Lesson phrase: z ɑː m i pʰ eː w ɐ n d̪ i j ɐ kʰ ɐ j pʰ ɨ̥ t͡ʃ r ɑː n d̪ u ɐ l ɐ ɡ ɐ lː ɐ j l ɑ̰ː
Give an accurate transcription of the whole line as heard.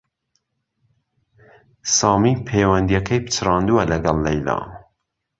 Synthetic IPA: s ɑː m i pʰ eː w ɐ n d̪ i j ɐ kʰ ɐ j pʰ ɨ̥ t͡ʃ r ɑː n d̪ u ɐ l ɐ ɡ ɐ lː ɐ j l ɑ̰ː